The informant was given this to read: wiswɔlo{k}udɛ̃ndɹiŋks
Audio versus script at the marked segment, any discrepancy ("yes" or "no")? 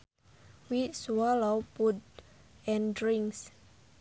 yes